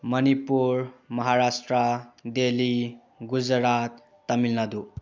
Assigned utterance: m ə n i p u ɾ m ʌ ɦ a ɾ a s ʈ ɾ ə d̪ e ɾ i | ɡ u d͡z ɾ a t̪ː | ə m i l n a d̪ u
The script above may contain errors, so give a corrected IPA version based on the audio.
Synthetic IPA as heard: m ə n i p u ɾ m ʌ ɦ a ɾ a s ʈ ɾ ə d̪ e l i | ɡ u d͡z ɾ a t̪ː | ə m i l n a d̪ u